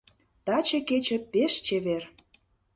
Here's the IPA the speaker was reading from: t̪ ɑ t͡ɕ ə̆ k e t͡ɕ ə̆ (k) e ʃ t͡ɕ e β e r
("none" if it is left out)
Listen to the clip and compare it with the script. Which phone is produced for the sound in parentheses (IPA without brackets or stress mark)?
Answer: p